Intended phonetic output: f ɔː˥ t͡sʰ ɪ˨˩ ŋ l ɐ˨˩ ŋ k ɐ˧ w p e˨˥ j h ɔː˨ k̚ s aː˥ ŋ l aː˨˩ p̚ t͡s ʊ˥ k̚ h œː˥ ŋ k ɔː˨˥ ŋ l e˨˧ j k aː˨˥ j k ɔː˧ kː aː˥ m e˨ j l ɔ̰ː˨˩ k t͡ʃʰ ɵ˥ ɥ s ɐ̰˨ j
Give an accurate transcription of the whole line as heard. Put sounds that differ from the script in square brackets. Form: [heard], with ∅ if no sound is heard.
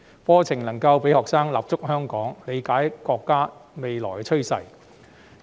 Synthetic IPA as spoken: f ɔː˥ t͡sʰ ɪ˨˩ ŋ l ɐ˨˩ ŋ k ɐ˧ w p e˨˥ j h ɔː˨ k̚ s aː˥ ŋ l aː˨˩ p̚ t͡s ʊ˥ k̚ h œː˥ ŋ k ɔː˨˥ ŋ l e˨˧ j k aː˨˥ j k ɔː˧ kː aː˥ m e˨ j l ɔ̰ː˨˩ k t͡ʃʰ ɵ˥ ɥ s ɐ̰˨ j